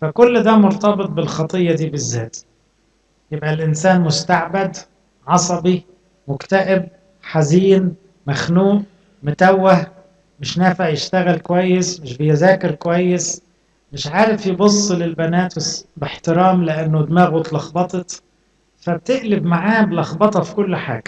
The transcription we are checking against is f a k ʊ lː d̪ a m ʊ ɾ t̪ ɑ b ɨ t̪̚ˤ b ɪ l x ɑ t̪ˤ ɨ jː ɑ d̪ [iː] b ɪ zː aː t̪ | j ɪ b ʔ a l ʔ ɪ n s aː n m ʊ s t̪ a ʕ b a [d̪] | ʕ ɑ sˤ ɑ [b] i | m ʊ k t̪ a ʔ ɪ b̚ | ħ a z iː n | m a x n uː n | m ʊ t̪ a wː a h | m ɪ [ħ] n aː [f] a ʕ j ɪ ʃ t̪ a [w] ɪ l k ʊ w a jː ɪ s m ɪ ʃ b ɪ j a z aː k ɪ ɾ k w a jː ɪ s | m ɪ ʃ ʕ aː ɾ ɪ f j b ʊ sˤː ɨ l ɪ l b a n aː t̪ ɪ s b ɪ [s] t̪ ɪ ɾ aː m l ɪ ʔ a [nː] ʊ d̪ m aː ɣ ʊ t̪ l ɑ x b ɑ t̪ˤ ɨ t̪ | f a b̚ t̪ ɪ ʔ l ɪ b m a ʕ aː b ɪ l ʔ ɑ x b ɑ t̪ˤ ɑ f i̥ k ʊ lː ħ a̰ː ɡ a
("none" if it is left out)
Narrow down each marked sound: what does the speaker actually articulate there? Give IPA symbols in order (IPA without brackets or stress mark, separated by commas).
iː, d̪, b, ʃ, f, ɣ, ħ, nː